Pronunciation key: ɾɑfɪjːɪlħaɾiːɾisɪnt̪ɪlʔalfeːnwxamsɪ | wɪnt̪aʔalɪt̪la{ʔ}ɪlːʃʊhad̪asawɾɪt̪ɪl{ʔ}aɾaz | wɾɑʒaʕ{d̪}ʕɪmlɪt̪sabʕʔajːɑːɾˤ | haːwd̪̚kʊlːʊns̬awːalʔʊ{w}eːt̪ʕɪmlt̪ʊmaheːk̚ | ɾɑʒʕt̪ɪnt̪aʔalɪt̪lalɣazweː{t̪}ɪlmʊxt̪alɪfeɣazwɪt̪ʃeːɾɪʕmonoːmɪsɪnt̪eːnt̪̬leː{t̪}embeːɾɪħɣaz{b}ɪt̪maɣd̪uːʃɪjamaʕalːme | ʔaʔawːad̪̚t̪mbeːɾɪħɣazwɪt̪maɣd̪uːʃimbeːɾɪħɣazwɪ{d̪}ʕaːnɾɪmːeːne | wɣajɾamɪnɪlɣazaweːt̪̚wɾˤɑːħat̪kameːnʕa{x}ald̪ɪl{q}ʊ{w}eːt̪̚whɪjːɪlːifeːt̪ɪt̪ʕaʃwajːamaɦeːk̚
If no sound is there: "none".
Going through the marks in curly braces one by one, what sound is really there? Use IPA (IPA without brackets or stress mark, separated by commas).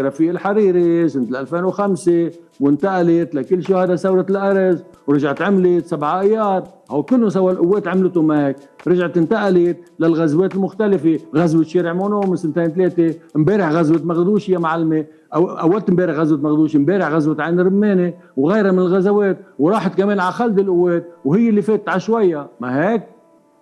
k, ʔ, t̪, wː, t̪, t̪, w, t̪, x, ʔ, wː